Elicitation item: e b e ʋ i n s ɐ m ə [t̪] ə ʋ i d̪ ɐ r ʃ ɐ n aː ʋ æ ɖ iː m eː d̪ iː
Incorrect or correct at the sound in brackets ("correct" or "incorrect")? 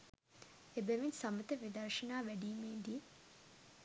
correct